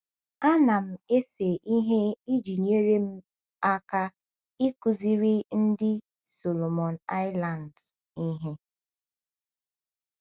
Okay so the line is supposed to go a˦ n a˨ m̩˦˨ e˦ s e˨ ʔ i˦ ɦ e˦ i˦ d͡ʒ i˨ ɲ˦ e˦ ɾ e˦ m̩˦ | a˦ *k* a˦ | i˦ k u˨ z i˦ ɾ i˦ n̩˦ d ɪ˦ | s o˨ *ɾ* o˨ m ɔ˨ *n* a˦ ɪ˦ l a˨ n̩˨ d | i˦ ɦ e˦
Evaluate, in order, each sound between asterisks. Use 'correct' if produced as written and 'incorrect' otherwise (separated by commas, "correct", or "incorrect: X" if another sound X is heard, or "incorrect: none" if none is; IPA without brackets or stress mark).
correct, incorrect: l, correct